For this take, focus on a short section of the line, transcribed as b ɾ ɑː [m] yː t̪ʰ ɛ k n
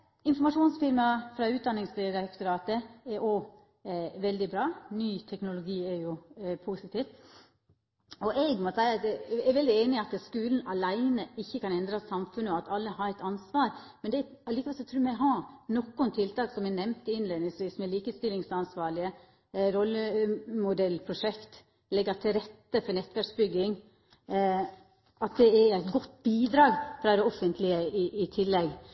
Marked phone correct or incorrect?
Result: incorrect: n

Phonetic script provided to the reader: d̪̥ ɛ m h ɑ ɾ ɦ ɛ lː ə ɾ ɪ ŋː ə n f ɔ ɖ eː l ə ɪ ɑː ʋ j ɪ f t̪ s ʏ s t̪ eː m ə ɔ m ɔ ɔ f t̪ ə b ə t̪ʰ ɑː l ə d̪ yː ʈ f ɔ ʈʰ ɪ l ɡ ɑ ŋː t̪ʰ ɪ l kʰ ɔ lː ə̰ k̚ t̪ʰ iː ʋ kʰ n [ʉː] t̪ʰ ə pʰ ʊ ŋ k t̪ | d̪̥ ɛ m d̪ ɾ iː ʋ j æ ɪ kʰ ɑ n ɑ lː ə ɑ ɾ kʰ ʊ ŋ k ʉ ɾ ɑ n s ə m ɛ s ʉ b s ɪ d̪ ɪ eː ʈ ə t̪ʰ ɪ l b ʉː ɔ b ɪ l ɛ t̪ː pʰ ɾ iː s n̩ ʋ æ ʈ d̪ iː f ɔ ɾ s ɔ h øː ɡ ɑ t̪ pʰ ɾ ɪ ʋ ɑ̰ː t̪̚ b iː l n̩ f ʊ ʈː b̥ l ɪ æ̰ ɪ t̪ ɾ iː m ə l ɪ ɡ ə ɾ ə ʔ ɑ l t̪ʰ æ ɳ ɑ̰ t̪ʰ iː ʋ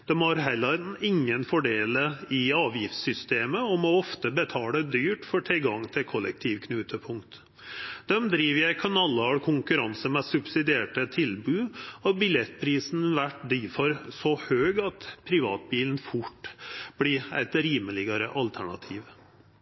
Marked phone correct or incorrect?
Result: correct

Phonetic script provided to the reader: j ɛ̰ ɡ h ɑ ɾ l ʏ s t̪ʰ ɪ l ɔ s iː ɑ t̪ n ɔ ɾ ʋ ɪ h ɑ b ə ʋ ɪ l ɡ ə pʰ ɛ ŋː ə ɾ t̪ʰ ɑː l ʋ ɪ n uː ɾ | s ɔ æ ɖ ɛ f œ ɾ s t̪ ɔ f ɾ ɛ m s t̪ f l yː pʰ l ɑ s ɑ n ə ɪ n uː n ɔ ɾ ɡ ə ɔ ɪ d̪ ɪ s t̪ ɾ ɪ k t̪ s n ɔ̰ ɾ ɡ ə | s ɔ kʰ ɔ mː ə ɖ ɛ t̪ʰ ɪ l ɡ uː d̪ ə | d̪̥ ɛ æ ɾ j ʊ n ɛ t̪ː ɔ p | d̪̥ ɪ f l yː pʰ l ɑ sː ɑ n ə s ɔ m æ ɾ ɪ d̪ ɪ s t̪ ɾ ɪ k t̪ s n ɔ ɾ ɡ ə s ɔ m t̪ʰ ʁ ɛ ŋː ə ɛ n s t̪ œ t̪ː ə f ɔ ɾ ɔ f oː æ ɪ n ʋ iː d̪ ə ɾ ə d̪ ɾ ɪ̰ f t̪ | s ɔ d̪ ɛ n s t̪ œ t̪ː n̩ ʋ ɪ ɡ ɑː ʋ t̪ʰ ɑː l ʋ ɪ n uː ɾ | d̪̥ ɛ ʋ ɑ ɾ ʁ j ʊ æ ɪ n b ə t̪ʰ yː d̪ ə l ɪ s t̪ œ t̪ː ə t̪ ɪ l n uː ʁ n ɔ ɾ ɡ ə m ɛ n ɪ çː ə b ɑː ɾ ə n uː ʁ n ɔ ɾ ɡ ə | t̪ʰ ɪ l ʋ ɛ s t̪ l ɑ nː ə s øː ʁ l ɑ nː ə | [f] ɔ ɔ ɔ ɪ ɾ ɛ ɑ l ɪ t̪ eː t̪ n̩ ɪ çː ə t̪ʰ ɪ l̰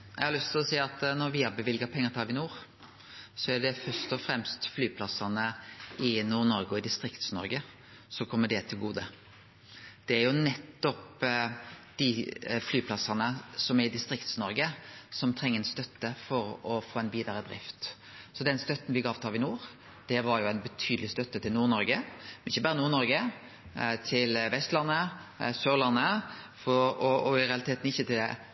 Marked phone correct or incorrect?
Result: correct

